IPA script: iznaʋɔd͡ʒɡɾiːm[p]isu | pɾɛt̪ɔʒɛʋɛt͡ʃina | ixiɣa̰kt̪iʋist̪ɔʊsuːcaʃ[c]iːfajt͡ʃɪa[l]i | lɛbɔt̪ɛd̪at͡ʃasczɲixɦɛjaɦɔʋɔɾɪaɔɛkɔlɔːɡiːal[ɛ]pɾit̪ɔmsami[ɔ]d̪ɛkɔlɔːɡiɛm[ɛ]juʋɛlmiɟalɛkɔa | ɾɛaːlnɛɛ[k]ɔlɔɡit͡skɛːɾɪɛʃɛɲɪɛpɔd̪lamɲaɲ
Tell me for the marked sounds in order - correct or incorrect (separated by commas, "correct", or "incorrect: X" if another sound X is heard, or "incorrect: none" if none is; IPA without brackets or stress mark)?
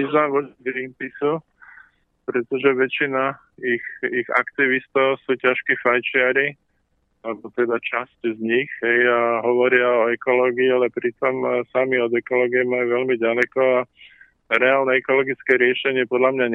correct, incorrect: k, incorrect: ɾ, correct, correct, incorrect: a, correct